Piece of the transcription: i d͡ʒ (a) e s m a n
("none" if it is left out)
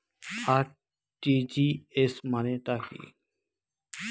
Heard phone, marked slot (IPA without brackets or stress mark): i